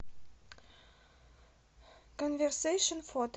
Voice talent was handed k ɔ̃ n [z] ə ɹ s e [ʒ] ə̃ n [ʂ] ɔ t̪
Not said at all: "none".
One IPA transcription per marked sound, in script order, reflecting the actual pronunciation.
v, ʃ, f

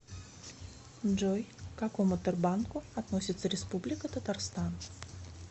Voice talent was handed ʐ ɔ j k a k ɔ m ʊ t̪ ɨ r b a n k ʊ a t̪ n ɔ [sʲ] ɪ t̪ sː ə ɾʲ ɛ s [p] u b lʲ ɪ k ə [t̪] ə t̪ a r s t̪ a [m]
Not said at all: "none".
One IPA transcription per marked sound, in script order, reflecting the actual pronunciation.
sʲ, p, t̪, n

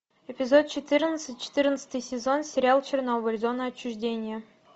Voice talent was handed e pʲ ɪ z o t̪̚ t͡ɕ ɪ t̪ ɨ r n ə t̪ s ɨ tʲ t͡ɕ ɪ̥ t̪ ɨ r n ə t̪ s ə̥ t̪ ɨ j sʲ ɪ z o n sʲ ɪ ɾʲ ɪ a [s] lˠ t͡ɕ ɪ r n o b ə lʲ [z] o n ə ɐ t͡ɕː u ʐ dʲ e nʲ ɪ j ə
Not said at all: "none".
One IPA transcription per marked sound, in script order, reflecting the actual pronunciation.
none, z

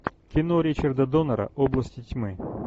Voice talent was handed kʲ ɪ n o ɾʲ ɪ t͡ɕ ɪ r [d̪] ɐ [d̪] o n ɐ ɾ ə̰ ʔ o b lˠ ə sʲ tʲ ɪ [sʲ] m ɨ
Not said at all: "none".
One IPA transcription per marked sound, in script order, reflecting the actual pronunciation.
d̪, d̪, tʲ

